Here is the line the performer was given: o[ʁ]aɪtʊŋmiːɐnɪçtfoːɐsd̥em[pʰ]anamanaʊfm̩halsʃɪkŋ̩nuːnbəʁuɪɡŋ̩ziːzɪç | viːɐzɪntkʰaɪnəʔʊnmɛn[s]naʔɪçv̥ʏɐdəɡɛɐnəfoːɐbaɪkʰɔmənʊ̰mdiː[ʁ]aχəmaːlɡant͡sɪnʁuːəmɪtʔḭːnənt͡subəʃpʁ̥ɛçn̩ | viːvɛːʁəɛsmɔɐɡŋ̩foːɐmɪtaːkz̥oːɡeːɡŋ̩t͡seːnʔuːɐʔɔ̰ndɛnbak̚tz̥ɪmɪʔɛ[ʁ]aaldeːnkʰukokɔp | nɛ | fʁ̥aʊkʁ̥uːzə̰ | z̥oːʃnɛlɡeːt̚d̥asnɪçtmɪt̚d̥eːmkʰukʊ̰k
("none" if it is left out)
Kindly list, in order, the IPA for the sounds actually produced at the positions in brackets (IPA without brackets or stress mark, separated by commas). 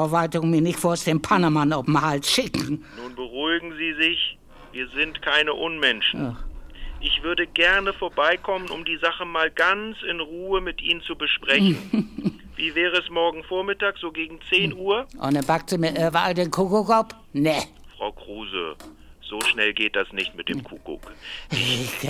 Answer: v, pʰ, ʃ, z, v